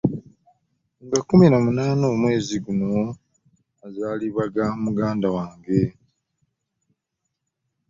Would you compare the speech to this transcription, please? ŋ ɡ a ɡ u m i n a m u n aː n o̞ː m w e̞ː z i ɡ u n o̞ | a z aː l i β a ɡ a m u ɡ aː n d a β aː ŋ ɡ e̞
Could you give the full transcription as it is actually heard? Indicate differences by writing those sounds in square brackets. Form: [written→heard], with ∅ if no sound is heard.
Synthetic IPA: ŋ ɡ a [ɡ→k] u m i n a m u n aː n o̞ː m w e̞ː z i ɡ u n o̞ | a z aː l i β a ɡ a m u ɡ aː n d a [β→w] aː ŋ ɡ e̞